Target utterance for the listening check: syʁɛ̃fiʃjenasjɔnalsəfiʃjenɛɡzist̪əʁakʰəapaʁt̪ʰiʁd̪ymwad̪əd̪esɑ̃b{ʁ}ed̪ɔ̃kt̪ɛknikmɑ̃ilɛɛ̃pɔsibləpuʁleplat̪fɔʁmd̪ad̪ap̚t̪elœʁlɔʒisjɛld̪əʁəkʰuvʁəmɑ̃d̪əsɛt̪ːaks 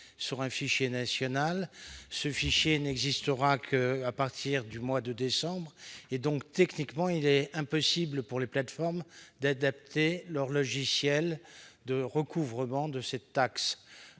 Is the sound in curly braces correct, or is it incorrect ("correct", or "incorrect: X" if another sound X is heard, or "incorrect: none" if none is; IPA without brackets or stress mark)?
correct